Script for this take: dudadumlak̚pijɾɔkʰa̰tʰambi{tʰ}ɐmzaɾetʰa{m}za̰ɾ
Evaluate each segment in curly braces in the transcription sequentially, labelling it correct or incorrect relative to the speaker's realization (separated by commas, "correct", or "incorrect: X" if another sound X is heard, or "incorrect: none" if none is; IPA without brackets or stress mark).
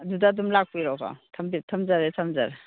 correct, correct